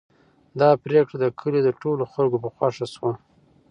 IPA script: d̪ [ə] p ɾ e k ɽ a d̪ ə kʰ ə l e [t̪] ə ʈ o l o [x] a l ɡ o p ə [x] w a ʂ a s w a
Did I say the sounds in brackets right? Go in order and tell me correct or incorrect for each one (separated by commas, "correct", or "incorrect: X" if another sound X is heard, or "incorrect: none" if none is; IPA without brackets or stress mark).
incorrect: ɑ, incorrect: d̪, correct, correct